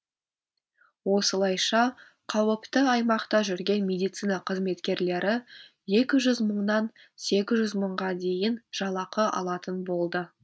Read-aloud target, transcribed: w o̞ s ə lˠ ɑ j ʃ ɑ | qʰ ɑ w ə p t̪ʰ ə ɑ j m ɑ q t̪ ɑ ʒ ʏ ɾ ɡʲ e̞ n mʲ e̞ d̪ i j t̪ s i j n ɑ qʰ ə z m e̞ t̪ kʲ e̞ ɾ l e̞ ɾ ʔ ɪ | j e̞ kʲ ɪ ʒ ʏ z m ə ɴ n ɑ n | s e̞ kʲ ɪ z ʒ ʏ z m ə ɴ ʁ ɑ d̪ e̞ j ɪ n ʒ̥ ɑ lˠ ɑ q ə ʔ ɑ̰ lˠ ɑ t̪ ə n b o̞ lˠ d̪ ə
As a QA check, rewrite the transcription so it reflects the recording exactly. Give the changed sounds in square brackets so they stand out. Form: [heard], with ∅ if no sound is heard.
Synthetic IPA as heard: w o̞ s ə lˠ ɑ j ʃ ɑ | qʰ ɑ w ə p [t̪] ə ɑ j m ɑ q t̪ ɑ ʒ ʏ ɾ ɡʲ e̞ n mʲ e̞ d̪ i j t̪ s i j n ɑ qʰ ə z m e̞ t̪ kʲ e̞ ɾ l e̞ ɾ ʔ ɪ | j e̞ kʲ ɪ ʒ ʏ z m ə ɴ n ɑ n | s e̞ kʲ ɪ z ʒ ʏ z m ə ɴ ʁ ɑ d̪ e̞ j ɪ n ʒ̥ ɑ lˠ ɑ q ə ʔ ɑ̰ lˠ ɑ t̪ ə n b o̞ lˠ d̪ ə